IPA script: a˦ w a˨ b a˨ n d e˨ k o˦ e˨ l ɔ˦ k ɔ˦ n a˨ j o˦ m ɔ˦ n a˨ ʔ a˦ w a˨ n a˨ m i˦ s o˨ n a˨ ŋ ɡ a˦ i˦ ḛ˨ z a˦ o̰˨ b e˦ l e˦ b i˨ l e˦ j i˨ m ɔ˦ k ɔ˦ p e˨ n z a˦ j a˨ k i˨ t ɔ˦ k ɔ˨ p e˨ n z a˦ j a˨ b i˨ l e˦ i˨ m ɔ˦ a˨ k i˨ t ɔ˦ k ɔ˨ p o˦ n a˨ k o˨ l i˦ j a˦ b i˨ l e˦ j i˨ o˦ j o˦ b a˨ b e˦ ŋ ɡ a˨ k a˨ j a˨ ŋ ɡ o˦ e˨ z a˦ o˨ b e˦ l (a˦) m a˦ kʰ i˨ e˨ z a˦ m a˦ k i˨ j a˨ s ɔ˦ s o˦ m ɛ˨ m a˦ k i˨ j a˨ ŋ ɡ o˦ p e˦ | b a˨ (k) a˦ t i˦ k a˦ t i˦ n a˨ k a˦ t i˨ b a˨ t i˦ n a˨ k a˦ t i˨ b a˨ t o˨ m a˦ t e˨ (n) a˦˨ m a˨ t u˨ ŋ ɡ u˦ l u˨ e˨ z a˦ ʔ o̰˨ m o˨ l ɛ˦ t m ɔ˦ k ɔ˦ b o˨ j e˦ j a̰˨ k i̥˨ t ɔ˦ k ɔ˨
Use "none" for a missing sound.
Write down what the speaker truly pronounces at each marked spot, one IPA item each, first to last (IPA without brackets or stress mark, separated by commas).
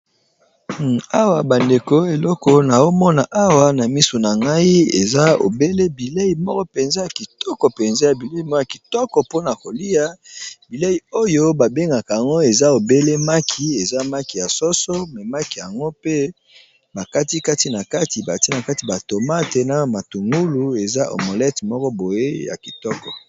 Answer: e˦, k, n